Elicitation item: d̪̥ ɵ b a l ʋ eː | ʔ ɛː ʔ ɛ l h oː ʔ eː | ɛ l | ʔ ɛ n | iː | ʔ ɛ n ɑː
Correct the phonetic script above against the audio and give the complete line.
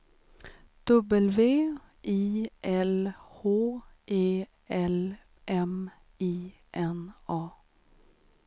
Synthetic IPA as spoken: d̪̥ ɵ b ə l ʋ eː | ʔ iː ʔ ɛ l h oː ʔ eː | ɛ l | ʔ ɛ m | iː | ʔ ɛ n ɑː